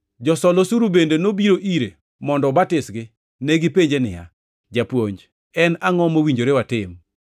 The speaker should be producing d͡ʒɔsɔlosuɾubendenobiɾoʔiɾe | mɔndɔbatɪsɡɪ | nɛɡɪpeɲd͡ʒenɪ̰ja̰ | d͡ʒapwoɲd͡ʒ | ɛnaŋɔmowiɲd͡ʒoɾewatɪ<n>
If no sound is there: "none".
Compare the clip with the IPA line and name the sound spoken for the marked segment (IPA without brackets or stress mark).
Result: m